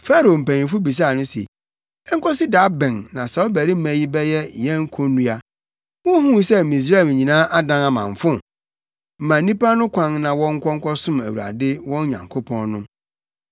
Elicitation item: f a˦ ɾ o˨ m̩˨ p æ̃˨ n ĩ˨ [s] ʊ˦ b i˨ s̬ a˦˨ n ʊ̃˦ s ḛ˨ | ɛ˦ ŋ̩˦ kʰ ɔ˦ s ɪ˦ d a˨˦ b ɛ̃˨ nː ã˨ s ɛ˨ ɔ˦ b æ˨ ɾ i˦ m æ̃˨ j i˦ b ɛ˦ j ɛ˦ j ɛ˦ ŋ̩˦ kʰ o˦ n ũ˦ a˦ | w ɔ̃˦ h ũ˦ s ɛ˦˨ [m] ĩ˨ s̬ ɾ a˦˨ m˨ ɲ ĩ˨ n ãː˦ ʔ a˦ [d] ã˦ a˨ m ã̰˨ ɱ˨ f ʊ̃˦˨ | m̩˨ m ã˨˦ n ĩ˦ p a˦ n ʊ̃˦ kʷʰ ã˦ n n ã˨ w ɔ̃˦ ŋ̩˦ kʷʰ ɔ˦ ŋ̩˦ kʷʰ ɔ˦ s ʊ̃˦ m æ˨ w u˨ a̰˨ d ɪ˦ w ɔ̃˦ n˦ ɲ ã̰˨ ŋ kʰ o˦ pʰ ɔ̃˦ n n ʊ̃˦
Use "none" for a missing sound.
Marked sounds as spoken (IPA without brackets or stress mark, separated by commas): f, m, d